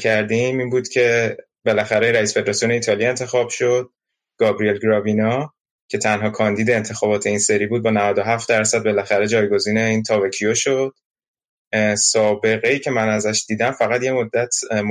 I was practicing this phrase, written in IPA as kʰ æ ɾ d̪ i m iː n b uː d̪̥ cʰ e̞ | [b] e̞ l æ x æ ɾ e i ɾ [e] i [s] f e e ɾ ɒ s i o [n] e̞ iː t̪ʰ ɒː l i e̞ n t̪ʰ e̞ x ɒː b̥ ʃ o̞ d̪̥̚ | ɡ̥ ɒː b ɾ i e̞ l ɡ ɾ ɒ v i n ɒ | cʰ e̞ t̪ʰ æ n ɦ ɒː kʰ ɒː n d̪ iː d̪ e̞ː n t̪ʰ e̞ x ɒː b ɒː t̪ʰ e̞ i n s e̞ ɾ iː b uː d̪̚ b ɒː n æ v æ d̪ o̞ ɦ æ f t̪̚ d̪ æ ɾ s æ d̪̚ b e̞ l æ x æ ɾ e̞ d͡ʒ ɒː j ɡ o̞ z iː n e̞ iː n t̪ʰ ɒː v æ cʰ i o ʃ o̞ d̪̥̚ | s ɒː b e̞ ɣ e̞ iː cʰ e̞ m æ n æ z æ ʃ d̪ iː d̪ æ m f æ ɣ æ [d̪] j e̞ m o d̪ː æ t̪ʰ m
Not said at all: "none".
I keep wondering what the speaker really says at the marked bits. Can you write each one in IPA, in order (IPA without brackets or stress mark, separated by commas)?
b, æ, s, n, t̪